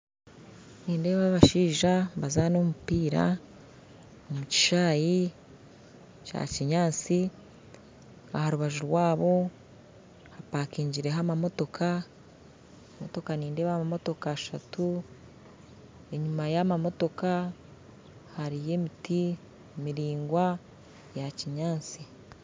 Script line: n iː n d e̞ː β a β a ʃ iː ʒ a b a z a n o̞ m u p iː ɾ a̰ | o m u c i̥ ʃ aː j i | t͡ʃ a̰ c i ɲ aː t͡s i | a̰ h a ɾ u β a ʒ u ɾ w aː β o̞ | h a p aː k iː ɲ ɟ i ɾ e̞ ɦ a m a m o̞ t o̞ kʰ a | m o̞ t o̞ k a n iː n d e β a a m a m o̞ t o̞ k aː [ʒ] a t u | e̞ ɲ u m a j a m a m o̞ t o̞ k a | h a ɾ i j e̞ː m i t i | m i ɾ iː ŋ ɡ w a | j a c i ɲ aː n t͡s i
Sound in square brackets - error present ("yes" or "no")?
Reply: yes